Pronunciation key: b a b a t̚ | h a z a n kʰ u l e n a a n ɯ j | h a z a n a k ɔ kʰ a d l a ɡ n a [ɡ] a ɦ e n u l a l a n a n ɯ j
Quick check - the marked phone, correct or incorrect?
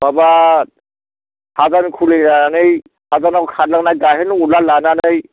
correct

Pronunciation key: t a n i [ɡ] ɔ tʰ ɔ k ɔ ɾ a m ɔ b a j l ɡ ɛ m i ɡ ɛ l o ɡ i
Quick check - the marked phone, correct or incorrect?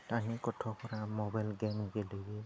incorrect: k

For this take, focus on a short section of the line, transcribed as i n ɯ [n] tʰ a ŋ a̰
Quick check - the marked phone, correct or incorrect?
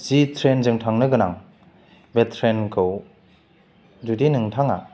incorrect: ŋ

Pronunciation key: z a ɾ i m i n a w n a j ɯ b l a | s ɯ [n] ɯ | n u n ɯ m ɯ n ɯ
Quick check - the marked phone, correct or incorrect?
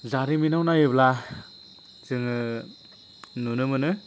incorrect: ŋ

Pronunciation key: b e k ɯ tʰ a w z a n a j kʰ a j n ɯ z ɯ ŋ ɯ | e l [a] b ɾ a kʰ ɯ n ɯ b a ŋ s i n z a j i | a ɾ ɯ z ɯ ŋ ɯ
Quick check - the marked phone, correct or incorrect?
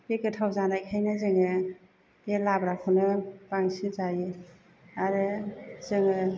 correct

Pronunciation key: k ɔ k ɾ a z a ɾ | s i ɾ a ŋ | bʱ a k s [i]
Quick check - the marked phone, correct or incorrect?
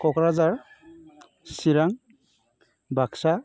incorrect: a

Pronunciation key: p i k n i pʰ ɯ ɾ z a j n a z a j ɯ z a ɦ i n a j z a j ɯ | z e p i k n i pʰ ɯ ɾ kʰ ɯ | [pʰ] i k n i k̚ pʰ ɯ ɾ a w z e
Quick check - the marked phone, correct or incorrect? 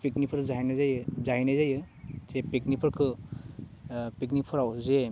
incorrect: p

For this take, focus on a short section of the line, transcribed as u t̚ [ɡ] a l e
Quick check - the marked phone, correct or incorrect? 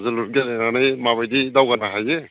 correct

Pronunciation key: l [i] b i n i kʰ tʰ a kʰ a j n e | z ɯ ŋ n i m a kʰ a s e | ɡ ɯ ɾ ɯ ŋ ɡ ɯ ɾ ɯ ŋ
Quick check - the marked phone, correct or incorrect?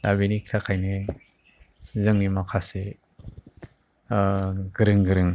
incorrect: a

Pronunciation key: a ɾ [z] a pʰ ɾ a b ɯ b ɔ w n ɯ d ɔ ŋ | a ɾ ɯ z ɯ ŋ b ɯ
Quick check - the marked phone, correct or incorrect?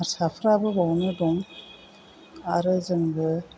incorrect: s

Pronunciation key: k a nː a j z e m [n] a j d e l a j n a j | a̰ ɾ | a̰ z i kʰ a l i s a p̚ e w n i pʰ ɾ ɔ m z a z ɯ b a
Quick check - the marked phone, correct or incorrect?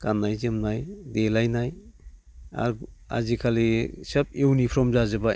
correct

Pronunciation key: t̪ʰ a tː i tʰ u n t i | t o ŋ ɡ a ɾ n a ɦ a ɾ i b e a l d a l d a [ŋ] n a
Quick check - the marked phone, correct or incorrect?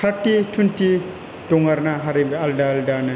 incorrect: none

